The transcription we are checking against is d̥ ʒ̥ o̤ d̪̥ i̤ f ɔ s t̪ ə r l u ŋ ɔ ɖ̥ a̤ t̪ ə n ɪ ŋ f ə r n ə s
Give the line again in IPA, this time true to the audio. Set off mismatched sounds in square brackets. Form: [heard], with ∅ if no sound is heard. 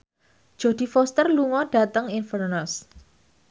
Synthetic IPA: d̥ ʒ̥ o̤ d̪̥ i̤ f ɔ s t̪ ə r l u ŋ ɔ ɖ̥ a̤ t̪ ə [ŋ] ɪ [n] f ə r n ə s

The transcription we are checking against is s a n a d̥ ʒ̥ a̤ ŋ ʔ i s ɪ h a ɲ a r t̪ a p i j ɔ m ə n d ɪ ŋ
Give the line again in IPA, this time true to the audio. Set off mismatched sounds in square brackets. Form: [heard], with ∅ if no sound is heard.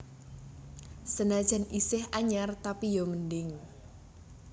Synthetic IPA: s [ə] n a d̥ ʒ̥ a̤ [n] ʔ i s ɪ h a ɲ a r t̪ a p i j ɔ m ə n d ɪ ŋ

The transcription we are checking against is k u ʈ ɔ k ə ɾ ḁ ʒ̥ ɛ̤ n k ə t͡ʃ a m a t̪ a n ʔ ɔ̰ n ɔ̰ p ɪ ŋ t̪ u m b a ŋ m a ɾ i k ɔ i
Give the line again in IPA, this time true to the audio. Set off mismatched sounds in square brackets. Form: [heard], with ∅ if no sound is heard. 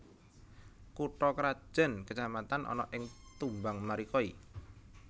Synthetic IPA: k u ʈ ɔ k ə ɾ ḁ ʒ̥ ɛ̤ n k ə t͡ʃ a m a t̪ a n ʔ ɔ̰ n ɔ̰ [ʔ] ɪ ŋ t̪ u m b a ŋ m a ɾ i k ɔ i

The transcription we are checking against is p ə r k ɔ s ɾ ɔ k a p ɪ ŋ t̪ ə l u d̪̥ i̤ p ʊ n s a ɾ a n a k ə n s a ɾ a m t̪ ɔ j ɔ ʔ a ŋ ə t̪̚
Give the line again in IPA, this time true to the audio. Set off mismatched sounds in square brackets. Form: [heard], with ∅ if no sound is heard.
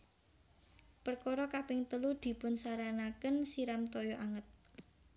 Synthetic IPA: p ə r k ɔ [∅] ɾ ɔ k a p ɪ ŋ t̪ ə l u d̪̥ i̤ p ʊ n s a ɾ a n a k ə n s [i] ɾ a m t̪ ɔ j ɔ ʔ a ŋ ə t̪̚

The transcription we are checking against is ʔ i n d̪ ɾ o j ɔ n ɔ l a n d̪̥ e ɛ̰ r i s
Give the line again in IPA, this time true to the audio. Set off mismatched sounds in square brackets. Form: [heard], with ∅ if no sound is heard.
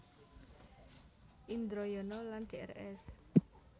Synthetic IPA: ʔ i n d̪ ɾ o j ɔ n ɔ l a n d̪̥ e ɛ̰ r [ɛ] s

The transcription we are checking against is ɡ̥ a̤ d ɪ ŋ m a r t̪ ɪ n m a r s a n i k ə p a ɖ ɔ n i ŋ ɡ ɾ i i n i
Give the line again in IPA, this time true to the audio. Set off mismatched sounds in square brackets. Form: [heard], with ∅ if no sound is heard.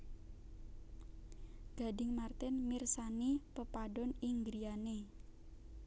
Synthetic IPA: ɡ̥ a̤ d ɪ ŋ m a r t̪ ɪ n m [i] r s a n i [p] ə p a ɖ ɔ n i ŋ ɡ ɾ i [a] n [e]

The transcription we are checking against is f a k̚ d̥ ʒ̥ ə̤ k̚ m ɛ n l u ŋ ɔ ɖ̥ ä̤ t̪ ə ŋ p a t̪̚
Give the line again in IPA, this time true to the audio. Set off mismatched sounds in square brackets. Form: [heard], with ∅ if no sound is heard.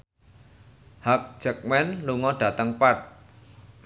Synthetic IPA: [h] a k̚ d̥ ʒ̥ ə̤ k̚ m ɛ n l u ŋ ɔ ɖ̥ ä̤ t̪ ə ŋ p a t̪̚

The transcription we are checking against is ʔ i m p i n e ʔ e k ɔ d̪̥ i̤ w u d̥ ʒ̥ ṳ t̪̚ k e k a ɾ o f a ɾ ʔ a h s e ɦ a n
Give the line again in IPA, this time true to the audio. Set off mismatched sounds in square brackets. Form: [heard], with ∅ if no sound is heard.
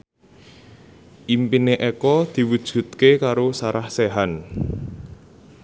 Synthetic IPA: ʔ i m p i n e ʔ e k ɔ d̪̥ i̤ w u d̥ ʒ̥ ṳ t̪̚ k e k a ɾ o [s] a ɾ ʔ a h s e ɦ a n

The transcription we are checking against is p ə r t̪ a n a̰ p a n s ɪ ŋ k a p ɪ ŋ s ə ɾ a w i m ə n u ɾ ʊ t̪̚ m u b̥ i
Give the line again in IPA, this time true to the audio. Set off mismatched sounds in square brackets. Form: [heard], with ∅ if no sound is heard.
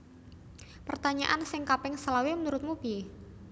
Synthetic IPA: p ə r t̪ a [ɲ] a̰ [ʔ] a n s ɪ ŋ k a p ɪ ŋ s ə [l] a w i m ə n u ɾ ʊ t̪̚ m u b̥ i

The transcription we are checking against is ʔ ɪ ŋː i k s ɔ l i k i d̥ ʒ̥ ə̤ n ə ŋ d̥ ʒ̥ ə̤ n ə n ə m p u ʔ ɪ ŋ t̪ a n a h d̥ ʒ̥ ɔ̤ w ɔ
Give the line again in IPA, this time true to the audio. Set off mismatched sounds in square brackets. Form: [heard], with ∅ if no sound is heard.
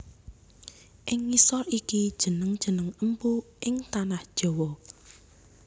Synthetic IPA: ʔ ɪ ŋː i [∅] s ɔ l i k i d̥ ʒ̥ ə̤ n ə ŋ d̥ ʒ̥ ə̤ n ə [ŋ] ə m p u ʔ ɪ ŋ t̪ a n a h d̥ ʒ̥ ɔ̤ w ɔ

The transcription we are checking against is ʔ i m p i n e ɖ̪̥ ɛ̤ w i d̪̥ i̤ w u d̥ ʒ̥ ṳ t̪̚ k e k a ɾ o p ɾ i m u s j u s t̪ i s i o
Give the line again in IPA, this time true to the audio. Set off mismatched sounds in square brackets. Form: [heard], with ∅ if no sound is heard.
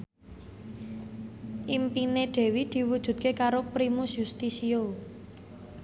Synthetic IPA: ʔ i m p i n e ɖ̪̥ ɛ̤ w i d̪̥ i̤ w u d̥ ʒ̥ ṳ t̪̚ k e k a ɾ o p ɾ i m u s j u s t̪ i s i o

